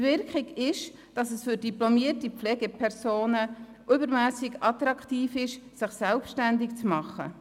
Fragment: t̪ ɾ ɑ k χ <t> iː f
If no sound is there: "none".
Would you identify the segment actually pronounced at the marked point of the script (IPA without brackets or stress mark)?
t